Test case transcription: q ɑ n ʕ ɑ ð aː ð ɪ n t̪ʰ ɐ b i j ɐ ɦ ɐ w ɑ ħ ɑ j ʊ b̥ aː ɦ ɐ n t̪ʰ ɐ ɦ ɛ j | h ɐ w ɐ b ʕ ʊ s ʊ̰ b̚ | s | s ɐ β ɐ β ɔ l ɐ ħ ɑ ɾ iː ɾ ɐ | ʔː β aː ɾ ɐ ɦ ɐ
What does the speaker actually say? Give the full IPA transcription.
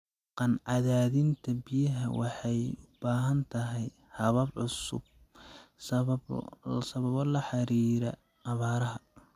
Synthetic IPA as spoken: q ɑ n ʕ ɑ ð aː ð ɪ n t̪ʰ ɐ b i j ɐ ɦ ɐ w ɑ ħ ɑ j ʊ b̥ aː ɦ ɐ n t̪ʰ ɐ ɦ ɛ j | h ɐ β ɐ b ʕ ʊ s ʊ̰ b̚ | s | s ɐ β ɐ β ɔ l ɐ ħ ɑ ɾ iː ɾ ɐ | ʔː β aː ɾ ɐ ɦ ɐ